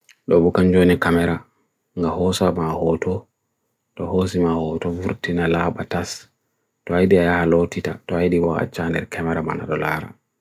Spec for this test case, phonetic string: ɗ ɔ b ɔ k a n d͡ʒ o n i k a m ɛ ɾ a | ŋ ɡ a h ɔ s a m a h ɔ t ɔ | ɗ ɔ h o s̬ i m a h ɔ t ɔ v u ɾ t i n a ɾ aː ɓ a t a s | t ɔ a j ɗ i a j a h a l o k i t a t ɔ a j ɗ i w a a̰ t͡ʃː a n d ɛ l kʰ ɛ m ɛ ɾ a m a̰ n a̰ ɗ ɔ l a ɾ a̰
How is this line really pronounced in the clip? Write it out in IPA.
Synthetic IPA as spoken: ɗ ɔ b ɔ k a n d͡ʒ o n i k a m ɛ ɾ a | ŋ ɡ a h ɔ s a m a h ɔ t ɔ | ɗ ɔ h o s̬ i m a h ɔ t ɔ v u ɾ t i n a l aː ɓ a t a s | t ɔ a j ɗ i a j a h a l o t i t a t ɔ a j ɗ i w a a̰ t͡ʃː a n d ɛ ɾ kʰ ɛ m ɛ ɾ a m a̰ n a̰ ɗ ɔ l a ɾ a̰